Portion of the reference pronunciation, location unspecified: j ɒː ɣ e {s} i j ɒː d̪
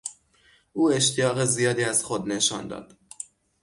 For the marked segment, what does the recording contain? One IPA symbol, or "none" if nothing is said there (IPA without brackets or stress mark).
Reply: z